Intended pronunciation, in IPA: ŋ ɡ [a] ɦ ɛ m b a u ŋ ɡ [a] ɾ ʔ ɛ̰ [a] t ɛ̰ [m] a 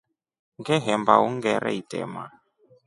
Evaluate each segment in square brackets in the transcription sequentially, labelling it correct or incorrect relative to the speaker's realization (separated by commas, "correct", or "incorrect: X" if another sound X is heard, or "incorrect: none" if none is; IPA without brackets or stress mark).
incorrect: ɛ, incorrect: ɛ, incorrect: i, correct